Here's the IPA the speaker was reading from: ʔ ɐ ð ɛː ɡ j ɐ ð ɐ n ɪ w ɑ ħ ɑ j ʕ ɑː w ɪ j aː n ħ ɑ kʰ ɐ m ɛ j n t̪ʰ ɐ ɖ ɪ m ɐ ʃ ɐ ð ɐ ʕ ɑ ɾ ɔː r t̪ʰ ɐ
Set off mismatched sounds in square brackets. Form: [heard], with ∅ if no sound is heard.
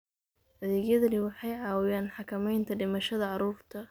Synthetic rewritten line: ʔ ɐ ð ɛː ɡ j ɐ ð ɐ n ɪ w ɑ ħ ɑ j ʕ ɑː w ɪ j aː n ħ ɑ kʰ ɐ m ɛ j n t̪ʰ ɐ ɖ ɪ m ɐ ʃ ɐ ð ɐ ʕ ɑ ɾ [uː] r t̪ʰ ɐ